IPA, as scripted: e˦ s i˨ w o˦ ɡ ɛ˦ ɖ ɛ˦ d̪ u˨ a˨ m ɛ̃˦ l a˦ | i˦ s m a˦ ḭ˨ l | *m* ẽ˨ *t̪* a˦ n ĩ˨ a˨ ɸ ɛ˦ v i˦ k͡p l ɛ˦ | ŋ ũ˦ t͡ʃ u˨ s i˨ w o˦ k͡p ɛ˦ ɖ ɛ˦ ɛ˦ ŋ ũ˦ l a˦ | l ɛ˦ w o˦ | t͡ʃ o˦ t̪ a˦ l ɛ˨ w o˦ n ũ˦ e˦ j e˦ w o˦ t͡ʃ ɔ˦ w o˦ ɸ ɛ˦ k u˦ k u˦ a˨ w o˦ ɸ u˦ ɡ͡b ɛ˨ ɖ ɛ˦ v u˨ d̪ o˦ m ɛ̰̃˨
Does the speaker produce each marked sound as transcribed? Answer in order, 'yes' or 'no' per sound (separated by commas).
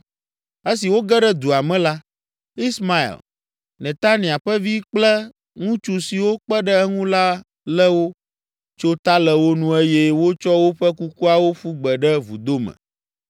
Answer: no, yes